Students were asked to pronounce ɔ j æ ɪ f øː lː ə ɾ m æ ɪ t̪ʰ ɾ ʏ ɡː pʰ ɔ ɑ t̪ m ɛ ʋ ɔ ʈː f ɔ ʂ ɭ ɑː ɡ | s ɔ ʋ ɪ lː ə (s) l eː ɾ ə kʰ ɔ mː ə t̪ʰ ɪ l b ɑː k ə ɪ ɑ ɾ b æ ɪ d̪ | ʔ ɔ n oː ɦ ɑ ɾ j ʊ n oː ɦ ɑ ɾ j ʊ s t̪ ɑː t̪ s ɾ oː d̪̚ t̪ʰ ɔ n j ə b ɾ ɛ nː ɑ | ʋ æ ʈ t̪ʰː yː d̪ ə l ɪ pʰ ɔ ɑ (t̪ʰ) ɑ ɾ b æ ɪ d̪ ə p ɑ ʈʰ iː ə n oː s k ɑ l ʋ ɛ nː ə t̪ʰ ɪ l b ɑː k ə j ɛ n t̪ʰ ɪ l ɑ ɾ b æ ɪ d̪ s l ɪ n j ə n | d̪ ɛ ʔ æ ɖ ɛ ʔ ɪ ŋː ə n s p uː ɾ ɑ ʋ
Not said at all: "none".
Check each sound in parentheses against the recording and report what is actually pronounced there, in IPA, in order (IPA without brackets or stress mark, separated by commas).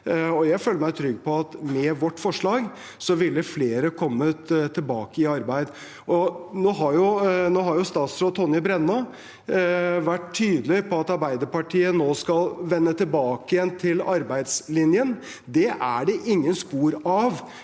f, t̪